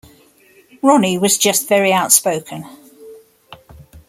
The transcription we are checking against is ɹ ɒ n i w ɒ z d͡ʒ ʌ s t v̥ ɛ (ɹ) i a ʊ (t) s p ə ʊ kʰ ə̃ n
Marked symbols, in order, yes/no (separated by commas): yes, yes